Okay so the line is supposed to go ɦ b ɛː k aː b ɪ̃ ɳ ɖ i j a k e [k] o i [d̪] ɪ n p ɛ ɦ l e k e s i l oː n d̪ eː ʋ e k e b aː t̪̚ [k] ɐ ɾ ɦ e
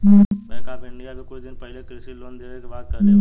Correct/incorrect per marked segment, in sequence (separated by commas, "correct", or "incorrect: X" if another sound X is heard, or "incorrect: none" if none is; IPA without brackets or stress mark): correct, correct, correct